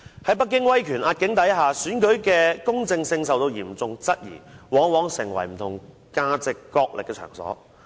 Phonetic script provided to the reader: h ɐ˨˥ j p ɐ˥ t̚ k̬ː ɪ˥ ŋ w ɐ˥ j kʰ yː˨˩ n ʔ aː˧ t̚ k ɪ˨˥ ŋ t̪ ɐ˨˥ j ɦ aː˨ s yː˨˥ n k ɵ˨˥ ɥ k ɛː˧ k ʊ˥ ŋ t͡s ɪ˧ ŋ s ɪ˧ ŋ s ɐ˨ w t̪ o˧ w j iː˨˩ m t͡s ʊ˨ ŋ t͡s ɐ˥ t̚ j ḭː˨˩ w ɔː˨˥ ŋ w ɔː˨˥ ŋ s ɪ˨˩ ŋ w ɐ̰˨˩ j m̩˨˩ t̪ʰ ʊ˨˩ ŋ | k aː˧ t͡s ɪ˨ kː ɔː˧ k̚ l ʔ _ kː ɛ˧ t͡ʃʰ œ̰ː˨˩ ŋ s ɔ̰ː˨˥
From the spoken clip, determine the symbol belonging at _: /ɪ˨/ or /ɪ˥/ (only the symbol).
ɪ˨